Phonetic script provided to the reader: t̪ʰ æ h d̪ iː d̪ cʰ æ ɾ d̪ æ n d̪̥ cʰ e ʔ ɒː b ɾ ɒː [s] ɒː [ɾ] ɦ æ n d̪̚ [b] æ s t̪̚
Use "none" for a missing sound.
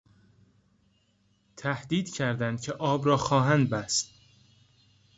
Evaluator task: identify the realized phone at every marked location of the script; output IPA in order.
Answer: x, none, b

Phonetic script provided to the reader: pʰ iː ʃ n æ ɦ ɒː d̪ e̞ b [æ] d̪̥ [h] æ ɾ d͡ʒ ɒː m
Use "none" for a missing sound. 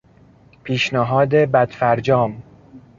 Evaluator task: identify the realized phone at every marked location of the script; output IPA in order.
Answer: æ, f

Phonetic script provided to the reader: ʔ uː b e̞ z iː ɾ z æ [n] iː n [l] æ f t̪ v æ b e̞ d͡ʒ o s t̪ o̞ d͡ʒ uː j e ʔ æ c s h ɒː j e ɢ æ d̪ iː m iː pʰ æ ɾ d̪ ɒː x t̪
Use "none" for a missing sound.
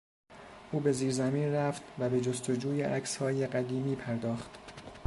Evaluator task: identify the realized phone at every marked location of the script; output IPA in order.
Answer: m, r

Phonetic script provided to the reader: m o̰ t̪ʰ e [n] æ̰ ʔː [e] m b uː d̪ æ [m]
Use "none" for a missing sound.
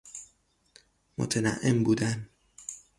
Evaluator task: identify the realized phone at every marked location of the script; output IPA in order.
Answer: n, e, n

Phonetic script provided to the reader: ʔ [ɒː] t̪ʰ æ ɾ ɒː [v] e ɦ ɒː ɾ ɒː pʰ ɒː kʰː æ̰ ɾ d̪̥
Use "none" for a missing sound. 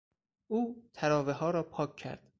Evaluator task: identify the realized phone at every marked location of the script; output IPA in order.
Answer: uː, v

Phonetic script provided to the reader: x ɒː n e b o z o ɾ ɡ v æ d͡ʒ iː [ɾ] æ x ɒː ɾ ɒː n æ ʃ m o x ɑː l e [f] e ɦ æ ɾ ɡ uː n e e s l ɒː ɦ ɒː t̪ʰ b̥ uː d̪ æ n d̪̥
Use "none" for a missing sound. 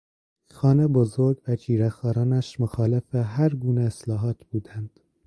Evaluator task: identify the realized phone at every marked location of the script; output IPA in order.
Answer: ɾ, f

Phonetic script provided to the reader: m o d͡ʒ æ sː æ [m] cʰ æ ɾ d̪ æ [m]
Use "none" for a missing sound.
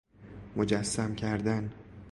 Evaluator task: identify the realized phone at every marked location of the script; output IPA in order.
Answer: m, n

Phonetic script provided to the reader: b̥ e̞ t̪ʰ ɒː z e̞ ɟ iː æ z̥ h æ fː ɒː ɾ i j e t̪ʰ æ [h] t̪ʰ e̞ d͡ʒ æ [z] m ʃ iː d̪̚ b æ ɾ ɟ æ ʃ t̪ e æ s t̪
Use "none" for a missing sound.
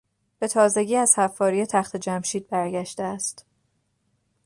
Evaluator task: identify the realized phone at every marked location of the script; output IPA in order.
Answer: x, none

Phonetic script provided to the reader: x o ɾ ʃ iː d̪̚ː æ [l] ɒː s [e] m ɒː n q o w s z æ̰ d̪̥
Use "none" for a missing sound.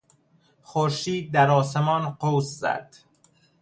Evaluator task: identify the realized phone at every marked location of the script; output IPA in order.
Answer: ɾ, e

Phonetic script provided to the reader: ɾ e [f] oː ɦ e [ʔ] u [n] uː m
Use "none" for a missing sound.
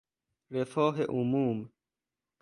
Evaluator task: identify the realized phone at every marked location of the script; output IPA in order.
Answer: f, ʔ, m

